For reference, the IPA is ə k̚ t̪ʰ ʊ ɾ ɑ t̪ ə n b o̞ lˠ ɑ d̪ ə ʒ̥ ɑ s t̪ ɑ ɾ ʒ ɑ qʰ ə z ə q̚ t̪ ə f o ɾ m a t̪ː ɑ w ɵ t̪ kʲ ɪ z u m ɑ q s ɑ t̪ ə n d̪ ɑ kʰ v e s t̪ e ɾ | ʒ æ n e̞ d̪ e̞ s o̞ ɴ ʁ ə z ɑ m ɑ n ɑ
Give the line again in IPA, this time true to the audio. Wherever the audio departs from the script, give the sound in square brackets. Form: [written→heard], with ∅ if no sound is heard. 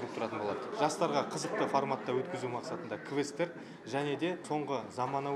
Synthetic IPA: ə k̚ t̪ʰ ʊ ɾ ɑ t̪ ə n b o̞ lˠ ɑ d̪ ə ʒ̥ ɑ s t̪ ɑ ɾ [ʒ→ʁ] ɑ qʰ ə z ə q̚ t̪ ə f o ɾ m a t̪ː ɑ w ɵ t̪ kʲ ɪ z u m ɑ q s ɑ t̪ ə n d̪ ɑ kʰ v e s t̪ e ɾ | ʒ æ n e̞ d̪ e̞ s o̞ ɴ ʁ ə z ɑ m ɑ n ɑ